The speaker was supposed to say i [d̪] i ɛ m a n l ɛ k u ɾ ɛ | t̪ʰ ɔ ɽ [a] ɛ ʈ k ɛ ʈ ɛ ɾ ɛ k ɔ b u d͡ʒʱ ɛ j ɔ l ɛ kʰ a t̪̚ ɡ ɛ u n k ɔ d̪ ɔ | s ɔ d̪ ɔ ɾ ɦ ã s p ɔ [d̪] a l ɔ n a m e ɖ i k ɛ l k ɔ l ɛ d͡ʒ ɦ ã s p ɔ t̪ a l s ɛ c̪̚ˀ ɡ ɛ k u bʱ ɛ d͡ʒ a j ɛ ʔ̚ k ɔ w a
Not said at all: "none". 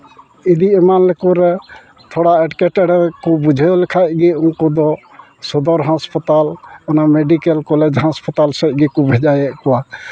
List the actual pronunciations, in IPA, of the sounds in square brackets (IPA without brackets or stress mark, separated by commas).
d̪, a, t̪